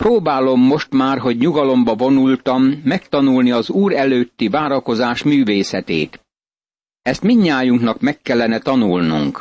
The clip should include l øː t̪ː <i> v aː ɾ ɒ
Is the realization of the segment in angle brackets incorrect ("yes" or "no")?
no